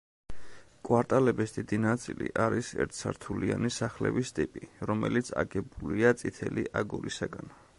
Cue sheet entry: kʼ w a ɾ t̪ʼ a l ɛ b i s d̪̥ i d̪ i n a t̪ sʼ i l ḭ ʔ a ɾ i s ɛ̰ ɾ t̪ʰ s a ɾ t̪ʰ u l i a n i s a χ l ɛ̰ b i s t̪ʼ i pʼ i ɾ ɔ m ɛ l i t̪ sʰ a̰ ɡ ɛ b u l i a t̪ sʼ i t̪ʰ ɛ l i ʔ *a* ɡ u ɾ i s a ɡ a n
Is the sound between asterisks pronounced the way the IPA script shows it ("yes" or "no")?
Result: yes